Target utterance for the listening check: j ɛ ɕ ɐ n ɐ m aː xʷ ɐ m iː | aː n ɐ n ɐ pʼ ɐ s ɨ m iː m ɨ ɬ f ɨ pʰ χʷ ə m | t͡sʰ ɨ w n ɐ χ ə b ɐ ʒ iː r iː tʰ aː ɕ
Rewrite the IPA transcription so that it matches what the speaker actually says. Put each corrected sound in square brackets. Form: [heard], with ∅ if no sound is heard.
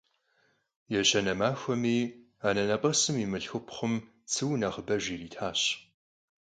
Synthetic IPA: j ɛ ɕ ɐ n ɐ m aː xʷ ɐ m iː | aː n ɐ n ɐ pʼ ɐ s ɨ m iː m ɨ ɬ [x] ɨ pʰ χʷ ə m | t͡sʰ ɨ w n ɐ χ ə b ɐ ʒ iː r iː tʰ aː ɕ